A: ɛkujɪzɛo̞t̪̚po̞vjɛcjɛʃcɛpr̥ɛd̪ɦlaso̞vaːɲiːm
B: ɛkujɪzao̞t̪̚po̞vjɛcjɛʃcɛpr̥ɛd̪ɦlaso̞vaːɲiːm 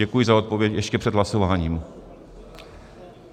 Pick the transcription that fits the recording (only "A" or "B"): B